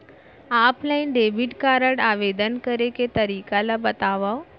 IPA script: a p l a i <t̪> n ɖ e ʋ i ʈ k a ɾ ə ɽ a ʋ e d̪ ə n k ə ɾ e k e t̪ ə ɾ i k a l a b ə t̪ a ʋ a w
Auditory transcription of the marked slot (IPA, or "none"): none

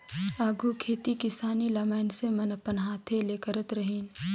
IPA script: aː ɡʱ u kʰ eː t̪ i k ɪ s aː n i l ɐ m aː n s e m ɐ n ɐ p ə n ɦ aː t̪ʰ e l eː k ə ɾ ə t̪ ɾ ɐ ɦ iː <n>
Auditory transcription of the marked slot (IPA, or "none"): n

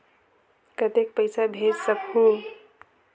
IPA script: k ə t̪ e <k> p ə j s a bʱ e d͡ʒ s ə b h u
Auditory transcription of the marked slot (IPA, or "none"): k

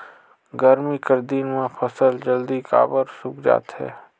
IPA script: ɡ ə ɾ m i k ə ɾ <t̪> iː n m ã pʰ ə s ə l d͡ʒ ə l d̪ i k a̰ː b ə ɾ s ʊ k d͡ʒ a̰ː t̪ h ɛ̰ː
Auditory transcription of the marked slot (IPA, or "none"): d̪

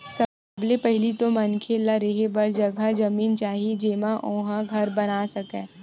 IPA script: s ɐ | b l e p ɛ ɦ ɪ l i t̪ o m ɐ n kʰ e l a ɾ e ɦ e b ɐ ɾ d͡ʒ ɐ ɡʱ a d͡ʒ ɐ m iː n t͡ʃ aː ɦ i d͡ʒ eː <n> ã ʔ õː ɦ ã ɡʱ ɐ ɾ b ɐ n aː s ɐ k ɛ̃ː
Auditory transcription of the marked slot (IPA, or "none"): m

